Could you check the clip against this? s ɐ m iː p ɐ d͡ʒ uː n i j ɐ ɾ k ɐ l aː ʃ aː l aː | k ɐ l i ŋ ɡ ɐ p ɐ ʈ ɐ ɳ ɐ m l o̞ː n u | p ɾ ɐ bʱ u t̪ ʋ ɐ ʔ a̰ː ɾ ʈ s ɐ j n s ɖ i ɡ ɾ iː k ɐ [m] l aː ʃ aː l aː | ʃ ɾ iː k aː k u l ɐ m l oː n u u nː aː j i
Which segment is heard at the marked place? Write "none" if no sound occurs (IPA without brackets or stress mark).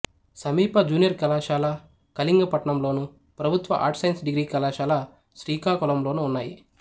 none